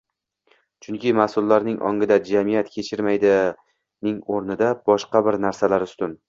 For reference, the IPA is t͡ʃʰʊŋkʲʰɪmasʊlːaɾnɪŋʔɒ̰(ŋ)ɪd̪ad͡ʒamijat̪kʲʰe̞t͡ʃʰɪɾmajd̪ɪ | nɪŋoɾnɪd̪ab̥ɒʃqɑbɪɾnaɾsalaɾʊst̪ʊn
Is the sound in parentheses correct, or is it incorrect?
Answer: correct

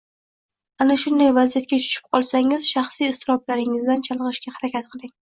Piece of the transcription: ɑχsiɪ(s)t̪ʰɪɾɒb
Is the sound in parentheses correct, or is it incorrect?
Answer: correct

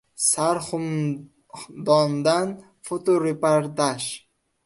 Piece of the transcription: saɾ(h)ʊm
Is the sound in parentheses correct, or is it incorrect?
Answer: incorrect: χ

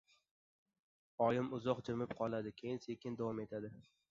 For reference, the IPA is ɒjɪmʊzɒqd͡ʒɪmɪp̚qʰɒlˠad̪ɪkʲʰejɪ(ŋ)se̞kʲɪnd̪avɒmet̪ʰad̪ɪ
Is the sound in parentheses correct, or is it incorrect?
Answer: incorrect: n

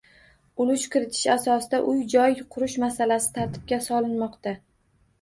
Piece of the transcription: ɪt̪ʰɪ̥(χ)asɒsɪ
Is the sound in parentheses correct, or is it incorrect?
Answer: incorrect: ʃ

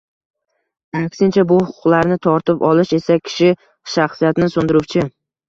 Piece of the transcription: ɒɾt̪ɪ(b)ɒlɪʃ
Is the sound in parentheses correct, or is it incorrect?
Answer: incorrect: p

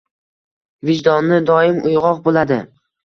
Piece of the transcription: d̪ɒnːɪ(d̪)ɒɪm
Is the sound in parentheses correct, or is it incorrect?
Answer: correct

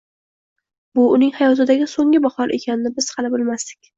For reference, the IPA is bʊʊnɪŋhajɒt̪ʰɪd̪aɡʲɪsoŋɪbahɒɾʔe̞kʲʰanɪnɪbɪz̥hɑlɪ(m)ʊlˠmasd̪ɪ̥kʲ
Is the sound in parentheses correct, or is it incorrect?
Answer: incorrect: b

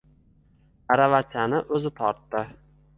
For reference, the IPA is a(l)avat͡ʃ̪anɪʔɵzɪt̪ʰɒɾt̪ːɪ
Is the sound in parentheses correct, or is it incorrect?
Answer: incorrect: ɾ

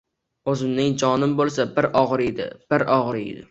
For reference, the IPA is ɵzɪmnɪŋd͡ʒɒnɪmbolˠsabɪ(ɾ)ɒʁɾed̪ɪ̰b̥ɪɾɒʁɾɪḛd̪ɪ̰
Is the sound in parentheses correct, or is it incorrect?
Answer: correct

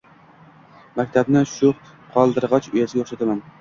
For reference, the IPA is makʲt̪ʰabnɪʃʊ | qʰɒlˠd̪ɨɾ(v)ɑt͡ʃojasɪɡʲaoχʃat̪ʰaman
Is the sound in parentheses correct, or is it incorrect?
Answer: incorrect: ʁ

